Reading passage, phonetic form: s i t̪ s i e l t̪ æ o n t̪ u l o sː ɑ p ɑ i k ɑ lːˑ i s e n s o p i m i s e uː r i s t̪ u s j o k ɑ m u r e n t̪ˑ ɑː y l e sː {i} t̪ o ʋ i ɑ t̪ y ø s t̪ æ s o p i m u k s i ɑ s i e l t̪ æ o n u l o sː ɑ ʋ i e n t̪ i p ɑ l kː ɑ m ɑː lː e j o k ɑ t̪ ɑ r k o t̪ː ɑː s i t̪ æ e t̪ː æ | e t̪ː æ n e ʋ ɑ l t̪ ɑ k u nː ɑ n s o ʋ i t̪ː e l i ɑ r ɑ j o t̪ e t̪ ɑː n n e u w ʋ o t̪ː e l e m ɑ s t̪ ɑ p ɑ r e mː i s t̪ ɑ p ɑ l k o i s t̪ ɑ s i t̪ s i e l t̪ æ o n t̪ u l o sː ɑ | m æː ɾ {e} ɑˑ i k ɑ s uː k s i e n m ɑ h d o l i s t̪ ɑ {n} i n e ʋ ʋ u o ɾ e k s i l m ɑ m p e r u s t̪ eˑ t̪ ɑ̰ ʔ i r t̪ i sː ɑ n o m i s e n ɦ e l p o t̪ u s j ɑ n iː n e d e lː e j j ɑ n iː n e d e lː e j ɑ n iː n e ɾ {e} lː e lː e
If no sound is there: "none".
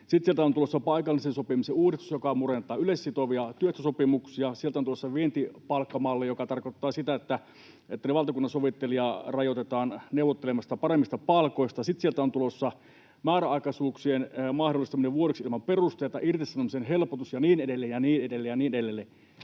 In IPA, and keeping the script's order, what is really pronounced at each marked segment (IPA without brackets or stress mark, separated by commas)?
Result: i, æ, m, e